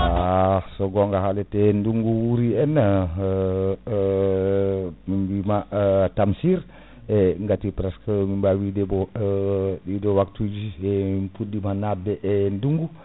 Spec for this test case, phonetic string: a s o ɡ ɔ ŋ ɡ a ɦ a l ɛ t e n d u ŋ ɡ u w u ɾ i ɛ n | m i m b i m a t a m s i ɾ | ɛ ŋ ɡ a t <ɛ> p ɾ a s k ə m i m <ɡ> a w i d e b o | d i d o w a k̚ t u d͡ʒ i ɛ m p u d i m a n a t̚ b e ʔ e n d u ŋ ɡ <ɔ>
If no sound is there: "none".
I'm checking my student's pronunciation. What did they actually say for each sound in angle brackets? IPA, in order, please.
i, b, u

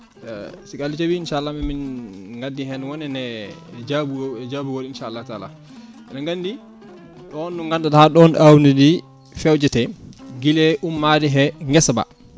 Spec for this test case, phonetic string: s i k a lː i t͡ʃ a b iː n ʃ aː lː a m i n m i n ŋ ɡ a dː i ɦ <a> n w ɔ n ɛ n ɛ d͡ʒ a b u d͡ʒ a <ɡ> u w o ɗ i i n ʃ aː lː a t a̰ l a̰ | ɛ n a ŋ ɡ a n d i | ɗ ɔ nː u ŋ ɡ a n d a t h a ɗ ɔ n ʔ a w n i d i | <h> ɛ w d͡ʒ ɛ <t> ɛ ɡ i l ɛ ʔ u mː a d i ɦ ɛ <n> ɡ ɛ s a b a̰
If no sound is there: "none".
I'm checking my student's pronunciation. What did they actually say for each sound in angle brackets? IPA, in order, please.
ɛ, b, f, t, ŋ

